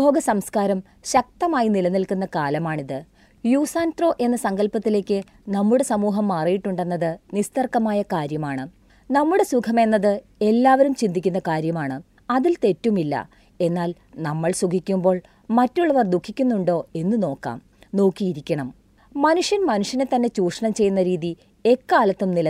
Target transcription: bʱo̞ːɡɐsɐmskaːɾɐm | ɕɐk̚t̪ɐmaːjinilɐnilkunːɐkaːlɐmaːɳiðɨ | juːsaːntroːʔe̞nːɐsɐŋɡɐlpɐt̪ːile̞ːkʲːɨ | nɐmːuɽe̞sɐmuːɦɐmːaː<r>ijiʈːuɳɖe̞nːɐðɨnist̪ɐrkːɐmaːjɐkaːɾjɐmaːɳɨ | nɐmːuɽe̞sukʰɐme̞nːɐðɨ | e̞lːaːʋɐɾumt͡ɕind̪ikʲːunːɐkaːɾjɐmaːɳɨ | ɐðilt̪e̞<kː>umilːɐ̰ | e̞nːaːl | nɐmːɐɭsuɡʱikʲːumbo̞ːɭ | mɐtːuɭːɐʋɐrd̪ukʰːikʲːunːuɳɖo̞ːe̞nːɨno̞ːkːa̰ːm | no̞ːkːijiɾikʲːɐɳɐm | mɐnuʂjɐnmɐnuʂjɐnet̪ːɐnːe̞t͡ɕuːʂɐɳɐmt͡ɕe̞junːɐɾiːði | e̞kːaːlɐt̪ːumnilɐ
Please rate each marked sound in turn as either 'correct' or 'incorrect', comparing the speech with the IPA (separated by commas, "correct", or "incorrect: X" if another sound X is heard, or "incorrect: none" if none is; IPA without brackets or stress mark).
correct, incorrect: tː